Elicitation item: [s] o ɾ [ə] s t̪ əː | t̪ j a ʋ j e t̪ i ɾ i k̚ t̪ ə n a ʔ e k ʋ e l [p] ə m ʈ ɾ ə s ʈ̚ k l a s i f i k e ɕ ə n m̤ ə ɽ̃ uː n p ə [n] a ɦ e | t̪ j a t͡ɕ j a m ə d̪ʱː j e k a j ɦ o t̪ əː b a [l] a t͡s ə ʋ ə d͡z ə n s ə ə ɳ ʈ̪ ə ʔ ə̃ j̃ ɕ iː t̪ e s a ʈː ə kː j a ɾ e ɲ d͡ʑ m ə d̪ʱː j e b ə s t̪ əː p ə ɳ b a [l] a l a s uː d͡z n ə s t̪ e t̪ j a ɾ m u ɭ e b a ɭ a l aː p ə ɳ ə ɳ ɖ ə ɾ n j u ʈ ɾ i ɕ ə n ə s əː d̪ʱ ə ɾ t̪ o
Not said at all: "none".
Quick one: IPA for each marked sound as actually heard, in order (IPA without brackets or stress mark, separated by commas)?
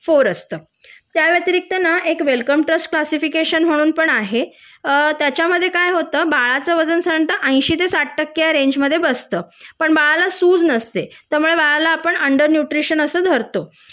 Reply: f, ə, k, ɳ, ɭ, ɭ